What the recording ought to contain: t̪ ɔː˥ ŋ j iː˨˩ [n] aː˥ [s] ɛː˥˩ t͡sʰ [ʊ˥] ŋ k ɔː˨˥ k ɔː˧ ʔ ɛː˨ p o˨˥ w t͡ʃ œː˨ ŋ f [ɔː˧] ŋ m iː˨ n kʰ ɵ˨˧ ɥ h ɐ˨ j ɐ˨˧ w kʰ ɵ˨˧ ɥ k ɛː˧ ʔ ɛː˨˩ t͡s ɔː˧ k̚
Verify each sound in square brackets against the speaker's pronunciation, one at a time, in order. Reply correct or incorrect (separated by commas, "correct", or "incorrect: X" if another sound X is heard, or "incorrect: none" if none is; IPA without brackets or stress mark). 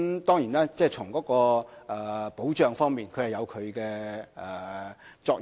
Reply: correct, incorrect: t͡s, incorrect: ʊ˨˩, incorrect: ɔː˥